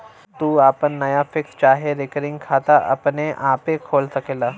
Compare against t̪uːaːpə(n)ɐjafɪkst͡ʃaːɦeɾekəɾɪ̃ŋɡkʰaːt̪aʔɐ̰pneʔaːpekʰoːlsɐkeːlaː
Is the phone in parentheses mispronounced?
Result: yes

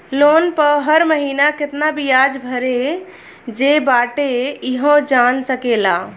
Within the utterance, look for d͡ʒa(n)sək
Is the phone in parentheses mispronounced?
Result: no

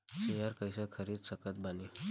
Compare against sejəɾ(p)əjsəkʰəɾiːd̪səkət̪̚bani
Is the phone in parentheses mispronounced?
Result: yes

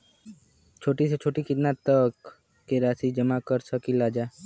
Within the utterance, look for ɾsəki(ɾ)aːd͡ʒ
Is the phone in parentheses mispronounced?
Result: yes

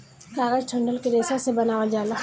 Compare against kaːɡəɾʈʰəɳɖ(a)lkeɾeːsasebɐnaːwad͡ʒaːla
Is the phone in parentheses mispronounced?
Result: yes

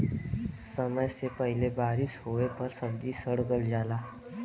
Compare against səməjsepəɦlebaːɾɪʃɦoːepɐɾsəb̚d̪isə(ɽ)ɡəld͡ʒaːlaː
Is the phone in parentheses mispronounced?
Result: no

